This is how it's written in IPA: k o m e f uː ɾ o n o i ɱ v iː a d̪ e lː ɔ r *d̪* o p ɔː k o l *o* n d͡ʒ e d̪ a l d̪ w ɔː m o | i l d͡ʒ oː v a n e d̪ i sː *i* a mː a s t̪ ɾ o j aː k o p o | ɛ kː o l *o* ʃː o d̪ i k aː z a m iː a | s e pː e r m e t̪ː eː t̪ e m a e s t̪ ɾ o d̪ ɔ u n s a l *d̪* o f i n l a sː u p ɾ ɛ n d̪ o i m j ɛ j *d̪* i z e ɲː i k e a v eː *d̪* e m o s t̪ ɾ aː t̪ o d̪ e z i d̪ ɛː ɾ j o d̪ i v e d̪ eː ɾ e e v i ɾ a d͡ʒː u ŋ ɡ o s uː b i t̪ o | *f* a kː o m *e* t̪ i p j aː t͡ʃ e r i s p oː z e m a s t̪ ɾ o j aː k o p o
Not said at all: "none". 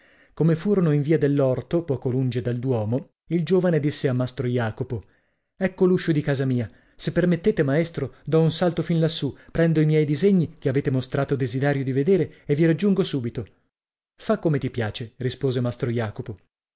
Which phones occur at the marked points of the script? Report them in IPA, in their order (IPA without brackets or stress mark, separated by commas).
t̪, u, e, u, t̪, d̪, t̪, f, e